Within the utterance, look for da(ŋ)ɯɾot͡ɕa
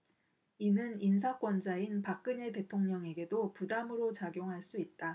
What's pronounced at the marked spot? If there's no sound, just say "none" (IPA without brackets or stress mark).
m